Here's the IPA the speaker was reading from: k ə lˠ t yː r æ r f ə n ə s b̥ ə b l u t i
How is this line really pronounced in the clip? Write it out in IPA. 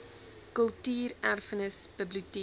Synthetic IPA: k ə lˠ t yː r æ r f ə n ə s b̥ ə b l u t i